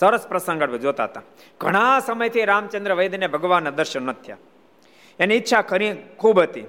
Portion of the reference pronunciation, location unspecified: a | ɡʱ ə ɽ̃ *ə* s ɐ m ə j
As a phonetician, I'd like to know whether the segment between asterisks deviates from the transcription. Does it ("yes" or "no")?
yes